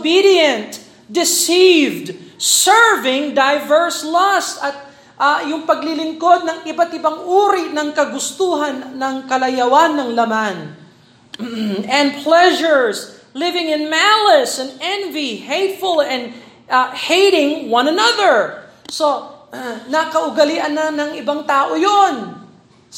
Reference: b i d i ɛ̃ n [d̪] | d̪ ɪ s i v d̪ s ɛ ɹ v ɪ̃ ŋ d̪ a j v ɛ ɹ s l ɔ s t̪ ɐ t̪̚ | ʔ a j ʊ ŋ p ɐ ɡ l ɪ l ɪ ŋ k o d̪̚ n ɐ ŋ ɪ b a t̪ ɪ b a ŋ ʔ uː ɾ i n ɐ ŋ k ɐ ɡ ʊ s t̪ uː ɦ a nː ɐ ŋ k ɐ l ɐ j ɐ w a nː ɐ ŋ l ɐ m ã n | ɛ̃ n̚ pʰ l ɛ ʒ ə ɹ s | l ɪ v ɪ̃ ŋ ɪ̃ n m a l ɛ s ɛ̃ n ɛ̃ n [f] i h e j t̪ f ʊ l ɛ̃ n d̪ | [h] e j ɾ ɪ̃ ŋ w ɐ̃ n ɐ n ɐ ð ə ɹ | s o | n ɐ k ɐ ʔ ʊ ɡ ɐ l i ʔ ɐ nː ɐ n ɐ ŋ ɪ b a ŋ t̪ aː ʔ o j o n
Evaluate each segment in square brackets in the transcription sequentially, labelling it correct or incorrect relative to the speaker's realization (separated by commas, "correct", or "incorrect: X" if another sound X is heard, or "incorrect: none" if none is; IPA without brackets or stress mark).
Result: incorrect: t̪, incorrect: v, correct